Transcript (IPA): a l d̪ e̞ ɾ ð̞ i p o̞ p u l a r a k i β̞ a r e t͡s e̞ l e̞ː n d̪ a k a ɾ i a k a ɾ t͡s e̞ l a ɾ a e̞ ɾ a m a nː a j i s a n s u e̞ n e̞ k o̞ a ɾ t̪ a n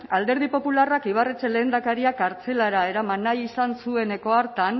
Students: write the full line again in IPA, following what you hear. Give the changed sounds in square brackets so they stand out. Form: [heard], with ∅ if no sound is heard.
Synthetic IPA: a l d̪ e̞ ɾ ð̞ i p o̞ p u l a r a k i β̞ a r e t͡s e̞ l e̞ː n d̪ a k a ɾ i a k a ɾ t͡s e̞ l a ɾ a e̞ ɾ a m a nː a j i s a n s u e̞ n e̞ k o̞ a ɾ t̪ a n